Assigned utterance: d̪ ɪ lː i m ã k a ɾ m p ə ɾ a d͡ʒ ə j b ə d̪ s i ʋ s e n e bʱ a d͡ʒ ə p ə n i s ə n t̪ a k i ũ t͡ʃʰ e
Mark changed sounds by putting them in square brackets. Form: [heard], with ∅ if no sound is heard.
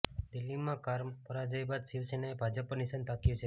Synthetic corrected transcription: d̪ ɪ lː i m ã k a ɾ m p ə ɾ a d͡ʒ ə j b [a] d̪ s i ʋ s e n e bʱ a d͡ʒ ə p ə n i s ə n t̪ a k [j] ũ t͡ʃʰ e